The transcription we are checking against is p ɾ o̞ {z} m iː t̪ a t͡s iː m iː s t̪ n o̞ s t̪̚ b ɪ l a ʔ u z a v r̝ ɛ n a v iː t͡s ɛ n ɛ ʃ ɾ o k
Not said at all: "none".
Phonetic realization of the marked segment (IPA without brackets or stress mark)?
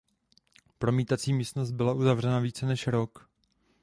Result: none